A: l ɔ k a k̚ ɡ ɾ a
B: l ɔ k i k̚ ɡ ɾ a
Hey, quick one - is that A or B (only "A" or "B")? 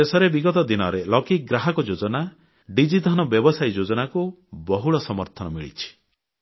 B